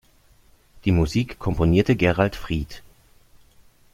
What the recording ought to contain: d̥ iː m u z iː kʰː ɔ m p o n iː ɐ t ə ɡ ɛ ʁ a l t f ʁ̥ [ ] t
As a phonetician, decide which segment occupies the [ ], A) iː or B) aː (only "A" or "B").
A